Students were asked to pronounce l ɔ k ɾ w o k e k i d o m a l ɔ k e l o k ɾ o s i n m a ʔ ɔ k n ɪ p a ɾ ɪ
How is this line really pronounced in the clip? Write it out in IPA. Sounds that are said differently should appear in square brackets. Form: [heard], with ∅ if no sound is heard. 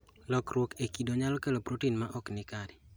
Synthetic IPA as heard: l ɔ k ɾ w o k e k i d o [ɲ] a l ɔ k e l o [p] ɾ o [t] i n m a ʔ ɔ k n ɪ [k] a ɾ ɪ